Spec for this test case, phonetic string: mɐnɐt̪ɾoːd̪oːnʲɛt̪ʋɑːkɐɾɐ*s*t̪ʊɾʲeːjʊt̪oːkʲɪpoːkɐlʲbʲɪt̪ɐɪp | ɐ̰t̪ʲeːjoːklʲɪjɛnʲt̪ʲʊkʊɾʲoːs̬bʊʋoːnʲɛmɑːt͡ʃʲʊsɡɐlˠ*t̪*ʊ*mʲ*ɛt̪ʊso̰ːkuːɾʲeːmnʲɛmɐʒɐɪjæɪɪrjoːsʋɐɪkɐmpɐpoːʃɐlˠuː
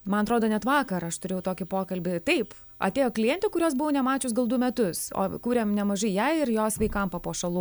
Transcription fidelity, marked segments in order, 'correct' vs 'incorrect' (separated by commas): incorrect, incorrect, correct